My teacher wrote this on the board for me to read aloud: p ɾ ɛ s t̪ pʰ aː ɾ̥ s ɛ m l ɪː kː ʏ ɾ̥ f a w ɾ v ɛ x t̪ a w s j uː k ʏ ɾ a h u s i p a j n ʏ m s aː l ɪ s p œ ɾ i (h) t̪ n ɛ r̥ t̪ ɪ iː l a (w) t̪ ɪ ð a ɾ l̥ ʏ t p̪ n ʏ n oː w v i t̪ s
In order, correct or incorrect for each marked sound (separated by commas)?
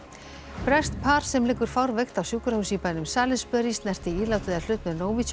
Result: incorrect, correct